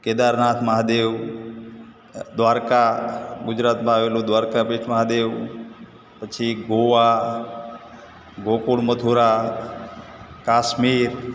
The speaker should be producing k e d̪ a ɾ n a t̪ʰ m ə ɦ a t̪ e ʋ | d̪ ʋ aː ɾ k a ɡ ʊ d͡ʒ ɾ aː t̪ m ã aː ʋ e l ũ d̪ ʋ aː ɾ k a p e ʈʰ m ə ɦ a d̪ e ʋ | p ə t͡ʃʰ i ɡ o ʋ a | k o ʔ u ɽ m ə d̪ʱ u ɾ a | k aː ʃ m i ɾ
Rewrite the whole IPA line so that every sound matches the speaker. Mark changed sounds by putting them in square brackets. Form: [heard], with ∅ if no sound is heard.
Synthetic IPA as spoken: k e d̪ a ɾ n a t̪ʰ m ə ɦ a [d̪] e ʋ | d̪ ʋ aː ɾ k a ɡ ʊ d͡ʒ ɾ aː t̪ m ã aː ʋ e l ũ d̪ ʋ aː ɾ k a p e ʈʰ m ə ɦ a d̪ e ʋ | p ə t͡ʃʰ i ɡ o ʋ a | [ɡ] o [k] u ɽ m ə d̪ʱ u ɾ a | k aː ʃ m i ɾ